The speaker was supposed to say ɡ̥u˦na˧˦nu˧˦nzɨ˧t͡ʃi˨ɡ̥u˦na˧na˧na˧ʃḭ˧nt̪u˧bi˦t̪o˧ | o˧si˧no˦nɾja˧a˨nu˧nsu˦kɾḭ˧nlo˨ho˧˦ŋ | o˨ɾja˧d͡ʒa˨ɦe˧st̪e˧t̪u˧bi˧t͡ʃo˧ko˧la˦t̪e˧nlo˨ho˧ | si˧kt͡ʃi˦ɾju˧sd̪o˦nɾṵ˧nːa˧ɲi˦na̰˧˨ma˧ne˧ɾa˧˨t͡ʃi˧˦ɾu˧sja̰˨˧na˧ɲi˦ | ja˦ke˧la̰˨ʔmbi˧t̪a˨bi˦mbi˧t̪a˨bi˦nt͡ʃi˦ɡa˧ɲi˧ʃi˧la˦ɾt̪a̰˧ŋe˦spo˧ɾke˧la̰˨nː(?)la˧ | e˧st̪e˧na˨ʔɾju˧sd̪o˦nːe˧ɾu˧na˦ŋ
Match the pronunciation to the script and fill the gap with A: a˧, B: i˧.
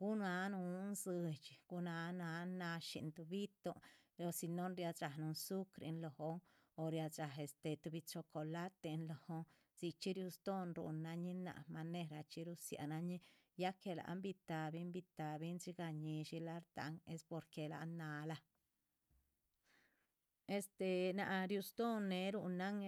A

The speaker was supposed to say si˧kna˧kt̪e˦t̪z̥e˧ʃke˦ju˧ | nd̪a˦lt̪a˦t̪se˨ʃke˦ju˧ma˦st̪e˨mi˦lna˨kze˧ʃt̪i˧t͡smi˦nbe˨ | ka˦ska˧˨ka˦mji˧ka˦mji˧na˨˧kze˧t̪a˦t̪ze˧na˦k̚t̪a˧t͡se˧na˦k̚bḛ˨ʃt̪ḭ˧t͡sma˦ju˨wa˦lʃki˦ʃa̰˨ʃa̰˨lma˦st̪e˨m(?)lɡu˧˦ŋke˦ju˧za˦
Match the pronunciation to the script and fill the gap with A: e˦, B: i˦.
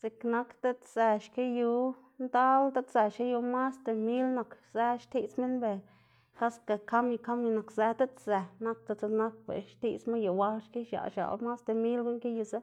B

